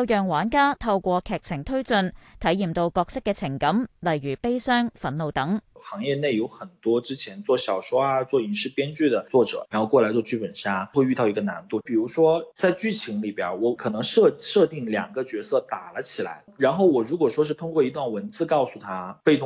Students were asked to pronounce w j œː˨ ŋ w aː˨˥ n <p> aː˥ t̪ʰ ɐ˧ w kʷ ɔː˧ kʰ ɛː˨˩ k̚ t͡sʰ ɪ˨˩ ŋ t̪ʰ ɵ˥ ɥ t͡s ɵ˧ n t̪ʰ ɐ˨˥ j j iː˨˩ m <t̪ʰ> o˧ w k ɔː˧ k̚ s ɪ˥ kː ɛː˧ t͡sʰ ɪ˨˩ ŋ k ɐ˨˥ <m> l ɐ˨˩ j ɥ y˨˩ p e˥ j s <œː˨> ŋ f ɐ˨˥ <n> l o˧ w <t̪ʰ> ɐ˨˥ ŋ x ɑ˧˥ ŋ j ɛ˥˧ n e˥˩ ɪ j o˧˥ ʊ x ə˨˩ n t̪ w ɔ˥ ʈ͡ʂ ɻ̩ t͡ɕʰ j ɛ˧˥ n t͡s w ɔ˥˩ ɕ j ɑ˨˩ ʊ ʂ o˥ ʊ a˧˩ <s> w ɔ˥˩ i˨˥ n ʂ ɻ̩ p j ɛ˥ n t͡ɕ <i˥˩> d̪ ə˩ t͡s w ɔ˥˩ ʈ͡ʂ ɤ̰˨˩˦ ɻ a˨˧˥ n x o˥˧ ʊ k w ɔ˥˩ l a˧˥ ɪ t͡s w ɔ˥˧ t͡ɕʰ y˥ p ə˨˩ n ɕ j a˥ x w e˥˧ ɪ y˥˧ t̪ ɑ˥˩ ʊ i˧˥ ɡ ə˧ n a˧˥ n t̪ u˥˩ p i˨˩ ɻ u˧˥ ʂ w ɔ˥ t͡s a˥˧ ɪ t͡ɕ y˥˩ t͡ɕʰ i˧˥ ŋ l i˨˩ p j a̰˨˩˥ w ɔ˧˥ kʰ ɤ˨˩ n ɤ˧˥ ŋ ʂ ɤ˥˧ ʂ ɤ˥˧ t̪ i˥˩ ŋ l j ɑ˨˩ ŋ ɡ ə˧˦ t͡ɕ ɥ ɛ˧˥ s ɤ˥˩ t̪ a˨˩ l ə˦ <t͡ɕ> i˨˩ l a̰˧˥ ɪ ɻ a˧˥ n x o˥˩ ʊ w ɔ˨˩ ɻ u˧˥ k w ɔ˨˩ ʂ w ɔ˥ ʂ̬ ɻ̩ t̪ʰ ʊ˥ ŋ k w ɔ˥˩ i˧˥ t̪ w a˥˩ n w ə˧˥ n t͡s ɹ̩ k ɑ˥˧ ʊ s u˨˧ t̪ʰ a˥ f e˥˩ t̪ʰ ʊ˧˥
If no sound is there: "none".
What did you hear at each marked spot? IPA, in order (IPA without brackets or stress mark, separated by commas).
k, t̪, m, œː˥, n, t̪, t͡s, y˥˩, t͡ɕʰ